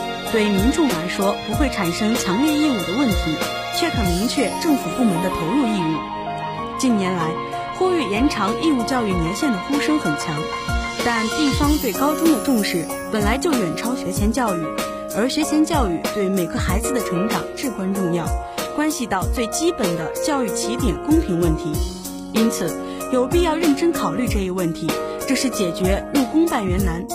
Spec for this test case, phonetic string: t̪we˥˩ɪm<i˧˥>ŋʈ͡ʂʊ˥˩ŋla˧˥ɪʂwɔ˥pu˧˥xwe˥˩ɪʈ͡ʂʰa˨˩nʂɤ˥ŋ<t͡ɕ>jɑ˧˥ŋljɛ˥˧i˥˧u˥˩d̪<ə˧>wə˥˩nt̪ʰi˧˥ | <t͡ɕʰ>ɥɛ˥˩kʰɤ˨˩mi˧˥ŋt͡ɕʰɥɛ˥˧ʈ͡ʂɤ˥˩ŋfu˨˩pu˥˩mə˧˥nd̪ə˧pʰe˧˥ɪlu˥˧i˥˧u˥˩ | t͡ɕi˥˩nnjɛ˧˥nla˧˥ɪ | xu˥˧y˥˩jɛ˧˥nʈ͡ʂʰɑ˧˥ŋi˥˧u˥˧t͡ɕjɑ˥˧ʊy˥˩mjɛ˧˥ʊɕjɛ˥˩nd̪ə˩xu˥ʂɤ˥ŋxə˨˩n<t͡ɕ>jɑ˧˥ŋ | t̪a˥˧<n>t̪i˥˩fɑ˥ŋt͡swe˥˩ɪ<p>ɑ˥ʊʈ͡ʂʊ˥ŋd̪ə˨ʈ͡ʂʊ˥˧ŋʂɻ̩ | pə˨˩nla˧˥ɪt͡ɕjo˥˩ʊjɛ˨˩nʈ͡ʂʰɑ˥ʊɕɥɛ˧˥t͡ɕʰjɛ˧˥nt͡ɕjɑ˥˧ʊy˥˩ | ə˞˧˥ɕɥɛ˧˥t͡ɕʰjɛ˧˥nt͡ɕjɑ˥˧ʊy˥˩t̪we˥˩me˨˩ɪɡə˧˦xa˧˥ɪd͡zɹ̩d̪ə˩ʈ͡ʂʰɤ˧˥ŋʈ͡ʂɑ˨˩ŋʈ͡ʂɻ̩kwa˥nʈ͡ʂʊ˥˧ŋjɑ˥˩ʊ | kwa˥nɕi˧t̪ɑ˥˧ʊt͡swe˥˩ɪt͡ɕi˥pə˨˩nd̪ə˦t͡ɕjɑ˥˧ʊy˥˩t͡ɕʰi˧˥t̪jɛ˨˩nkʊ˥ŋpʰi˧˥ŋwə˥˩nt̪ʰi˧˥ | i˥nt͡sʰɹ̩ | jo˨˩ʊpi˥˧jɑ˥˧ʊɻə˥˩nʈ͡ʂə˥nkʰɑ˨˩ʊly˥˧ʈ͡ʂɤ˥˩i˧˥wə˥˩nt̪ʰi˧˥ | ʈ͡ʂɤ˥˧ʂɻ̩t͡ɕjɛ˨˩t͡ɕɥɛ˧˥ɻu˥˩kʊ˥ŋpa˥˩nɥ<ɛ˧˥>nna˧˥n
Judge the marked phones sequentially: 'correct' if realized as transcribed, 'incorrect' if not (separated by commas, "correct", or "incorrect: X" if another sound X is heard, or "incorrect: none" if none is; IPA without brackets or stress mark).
correct, incorrect: t͡ɕʰ, incorrect: ə˩, correct, incorrect: t͡ɕʰ, correct, incorrect: k, correct